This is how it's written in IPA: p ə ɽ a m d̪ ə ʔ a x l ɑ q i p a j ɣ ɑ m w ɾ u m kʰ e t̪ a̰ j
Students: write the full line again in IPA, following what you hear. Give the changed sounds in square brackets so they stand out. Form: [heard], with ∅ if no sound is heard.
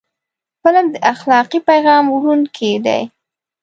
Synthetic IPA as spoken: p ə [l] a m d̪ ə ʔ a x l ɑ q i p a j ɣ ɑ m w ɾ u [n] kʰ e [d̪] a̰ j